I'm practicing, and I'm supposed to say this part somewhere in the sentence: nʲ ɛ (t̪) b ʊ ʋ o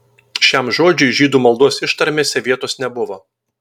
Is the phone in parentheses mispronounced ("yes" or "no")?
yes